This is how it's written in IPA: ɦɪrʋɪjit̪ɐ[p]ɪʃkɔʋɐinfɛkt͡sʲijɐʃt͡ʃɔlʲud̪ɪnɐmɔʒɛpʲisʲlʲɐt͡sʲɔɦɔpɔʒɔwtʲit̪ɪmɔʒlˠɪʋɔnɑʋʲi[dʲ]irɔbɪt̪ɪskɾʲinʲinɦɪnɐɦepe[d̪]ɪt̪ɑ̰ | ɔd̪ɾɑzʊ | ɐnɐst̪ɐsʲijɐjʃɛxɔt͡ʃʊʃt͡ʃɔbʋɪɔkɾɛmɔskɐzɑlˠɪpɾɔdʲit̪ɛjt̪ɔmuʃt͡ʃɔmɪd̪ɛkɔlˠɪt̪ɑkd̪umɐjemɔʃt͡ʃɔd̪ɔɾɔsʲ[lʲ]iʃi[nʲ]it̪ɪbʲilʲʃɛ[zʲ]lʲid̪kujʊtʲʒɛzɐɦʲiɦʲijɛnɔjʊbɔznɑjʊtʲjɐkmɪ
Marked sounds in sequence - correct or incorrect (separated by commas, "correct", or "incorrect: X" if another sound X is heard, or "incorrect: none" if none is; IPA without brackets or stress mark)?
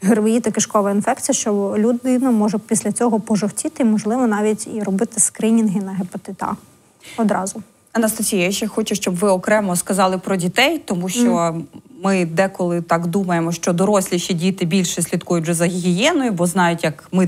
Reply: incorrect: k, incorrect: tʲ, incorrect: t̪, correct, incorrect: dʲ, incorrect: sʲ